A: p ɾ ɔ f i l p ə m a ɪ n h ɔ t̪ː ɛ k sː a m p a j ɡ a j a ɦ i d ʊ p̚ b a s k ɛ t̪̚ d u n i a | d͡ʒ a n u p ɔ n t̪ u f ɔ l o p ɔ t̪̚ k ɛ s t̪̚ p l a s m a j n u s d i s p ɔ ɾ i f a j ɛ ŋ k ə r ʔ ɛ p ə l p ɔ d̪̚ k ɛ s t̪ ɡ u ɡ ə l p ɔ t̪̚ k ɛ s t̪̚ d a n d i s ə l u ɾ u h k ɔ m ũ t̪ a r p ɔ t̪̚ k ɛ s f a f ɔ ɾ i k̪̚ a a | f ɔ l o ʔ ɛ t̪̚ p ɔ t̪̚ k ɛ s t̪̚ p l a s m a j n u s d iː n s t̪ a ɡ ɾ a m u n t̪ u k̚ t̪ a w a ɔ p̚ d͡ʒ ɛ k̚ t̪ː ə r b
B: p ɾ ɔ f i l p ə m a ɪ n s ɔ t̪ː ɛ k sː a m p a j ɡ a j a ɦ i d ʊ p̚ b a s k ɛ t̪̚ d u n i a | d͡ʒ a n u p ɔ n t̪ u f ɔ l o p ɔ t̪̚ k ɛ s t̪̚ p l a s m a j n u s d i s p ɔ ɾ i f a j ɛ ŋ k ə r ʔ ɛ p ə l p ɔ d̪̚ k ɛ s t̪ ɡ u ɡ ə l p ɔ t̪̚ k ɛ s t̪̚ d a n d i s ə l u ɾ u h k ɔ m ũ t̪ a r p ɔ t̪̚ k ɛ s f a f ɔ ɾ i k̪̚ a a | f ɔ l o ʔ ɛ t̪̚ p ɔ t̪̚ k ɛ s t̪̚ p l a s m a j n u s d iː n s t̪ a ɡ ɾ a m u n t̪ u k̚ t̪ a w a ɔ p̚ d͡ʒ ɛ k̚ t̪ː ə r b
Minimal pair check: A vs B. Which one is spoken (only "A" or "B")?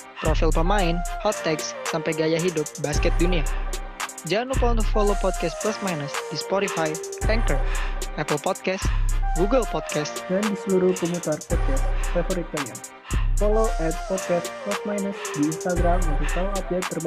A